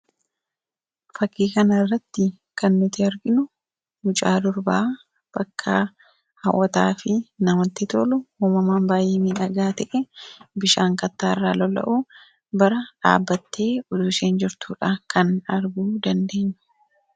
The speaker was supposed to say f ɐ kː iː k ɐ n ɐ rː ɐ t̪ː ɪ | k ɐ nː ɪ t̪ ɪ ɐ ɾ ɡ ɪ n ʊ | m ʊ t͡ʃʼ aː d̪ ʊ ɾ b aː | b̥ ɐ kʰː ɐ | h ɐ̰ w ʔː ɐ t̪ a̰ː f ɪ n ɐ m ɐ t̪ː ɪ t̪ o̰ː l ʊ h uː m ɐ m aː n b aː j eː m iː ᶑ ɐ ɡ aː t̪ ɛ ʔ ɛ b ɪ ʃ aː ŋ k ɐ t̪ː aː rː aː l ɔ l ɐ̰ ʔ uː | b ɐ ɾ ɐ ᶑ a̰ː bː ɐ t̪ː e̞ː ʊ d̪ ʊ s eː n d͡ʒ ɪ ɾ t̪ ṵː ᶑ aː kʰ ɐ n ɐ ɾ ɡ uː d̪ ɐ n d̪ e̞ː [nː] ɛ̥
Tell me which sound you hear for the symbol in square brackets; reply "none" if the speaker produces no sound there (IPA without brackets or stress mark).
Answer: ɲː